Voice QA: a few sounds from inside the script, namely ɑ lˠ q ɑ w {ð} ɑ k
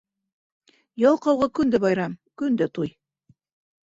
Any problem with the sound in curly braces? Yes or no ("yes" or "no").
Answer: yes